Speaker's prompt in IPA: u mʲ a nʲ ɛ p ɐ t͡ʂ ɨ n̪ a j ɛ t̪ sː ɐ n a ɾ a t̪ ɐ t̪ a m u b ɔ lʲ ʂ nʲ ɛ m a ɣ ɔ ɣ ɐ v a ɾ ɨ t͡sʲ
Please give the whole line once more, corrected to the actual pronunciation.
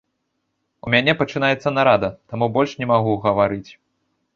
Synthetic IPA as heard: u mʲ a nʲ ɛ p ɐ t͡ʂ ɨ n̪ a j ɛ t̪ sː ɐ n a ɾ a d̪ ɐ t̪ a m u b ɔ lʲ ʂ nʲ ɛ m a ɣ u ɣ ɐ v a ɾ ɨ t͡sʲ